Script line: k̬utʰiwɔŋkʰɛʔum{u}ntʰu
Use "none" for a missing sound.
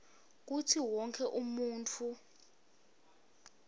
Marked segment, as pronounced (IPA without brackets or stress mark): uː